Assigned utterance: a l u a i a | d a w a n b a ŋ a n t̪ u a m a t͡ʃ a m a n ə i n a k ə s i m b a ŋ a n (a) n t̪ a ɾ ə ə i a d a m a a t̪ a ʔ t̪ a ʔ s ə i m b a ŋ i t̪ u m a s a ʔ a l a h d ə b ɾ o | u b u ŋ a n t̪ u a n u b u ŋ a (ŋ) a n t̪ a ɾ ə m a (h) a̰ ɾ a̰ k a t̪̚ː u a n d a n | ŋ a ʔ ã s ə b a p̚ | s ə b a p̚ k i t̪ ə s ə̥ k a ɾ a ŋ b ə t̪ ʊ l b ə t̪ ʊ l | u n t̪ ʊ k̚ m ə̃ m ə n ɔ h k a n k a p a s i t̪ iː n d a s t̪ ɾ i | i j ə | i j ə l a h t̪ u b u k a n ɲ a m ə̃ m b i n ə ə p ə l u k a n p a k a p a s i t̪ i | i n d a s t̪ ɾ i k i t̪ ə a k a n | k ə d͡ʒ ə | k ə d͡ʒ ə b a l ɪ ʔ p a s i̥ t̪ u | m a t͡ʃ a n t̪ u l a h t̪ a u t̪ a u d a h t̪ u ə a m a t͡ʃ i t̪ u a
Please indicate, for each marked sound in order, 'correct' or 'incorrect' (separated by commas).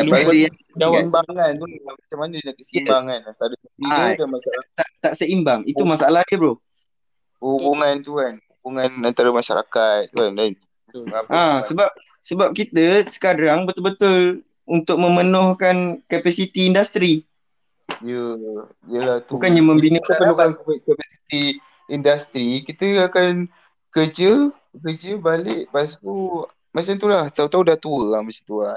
correct, incorrect, incorrect